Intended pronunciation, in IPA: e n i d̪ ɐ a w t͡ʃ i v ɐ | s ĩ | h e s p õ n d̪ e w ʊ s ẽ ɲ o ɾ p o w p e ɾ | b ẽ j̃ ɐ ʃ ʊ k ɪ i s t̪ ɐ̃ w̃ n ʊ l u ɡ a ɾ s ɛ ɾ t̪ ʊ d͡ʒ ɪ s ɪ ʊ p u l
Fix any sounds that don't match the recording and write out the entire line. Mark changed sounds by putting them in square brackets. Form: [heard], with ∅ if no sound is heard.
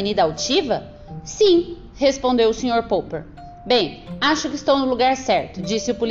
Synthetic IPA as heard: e n i d̪ ɐ a w t͡ʃ i v ɐ | s ĩ | h e s p õ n d̪ e w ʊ s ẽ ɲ o ɾ p o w p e ɾ | b ẽ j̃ [a] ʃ ʊ k ɪ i s t̪ ɐ̃ w̃ n ʊ l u ɡ a ɾ s ɛ ɾ t̪ ʊ d͡ʒ [i] s ɪ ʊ p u l